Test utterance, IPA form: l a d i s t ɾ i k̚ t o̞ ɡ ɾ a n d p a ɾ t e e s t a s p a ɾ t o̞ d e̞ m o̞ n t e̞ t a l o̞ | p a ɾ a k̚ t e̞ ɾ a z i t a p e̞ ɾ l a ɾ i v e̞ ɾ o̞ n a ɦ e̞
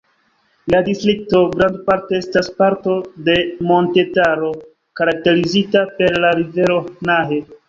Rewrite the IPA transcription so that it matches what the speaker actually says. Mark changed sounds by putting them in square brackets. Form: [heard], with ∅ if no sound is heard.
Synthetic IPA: l a d i s t ɾ i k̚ t o̞ ɡ ɾ a n d p a ɾ t e e s t a s p a ɾ t o̞ d e̞ m o̞ n t e̞ t a [ɾ] o̞ | [k] a ɾ a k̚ t e̞ ɾ [i] z i t a p e̞ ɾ l a ɾ i v e̞ ɾ o̞ n a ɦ e̞